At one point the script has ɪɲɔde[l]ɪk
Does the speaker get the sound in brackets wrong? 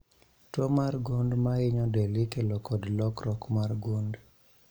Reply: no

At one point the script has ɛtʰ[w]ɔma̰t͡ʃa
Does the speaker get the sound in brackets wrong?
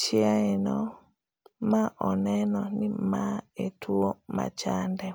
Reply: yes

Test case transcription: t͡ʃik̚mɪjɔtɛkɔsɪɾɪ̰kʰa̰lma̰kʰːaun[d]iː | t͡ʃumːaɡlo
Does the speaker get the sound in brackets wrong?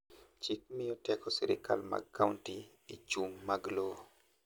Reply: yes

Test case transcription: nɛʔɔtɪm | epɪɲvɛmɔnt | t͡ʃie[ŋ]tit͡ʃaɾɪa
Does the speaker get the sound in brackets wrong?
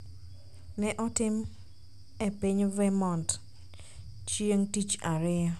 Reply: no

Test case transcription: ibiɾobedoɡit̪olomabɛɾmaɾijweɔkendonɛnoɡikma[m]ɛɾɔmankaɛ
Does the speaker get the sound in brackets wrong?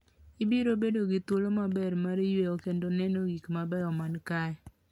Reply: yes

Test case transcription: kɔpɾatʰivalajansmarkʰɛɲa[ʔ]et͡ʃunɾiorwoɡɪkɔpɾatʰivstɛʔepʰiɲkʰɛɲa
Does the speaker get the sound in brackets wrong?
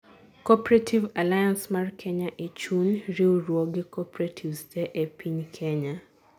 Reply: no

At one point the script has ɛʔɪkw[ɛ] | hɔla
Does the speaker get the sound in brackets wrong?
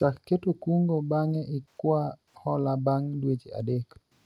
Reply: yes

